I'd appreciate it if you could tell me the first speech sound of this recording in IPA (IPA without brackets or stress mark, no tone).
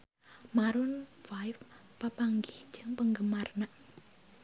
m